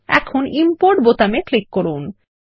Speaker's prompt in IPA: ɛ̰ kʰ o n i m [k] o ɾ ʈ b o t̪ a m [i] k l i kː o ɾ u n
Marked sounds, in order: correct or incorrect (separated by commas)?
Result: incorrect, incorrect